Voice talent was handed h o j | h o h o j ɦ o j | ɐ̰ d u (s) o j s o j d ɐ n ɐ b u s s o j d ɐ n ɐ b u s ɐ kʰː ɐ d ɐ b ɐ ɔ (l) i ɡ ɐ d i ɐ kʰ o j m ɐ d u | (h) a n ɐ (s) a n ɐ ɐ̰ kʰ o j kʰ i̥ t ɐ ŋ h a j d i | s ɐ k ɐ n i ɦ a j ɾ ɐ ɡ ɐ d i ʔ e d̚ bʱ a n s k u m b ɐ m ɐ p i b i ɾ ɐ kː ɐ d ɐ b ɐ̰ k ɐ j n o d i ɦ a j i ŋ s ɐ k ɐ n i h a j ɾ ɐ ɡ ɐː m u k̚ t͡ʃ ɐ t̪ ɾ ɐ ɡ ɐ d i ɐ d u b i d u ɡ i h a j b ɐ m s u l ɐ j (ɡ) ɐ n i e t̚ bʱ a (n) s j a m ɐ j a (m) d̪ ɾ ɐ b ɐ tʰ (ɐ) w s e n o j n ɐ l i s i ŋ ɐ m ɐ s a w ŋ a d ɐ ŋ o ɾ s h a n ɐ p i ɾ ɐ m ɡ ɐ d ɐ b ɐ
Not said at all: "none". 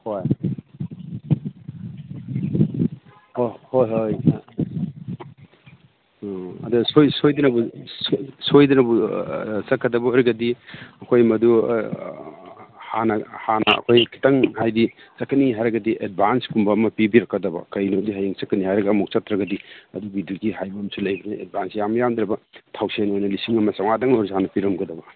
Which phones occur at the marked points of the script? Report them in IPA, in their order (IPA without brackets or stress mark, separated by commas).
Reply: s, ɾ, h, h, b, n, m, a